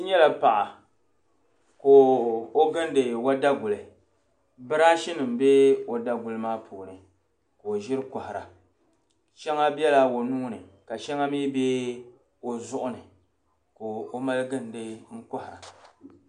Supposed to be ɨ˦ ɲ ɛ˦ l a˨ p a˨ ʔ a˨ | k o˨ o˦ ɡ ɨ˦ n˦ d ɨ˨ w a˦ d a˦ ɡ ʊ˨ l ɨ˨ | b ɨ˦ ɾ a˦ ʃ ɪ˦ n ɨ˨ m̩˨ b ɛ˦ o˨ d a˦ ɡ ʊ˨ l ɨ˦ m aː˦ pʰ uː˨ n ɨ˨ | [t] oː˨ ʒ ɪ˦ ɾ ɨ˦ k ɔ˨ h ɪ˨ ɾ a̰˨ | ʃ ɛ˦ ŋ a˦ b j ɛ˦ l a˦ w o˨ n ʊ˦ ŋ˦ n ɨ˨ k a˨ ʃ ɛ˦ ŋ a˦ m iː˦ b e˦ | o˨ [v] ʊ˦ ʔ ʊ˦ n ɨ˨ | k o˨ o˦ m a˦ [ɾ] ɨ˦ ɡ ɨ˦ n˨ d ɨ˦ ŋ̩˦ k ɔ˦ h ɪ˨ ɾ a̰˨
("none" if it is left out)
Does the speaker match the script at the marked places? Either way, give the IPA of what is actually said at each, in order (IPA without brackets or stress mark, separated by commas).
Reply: k, z, l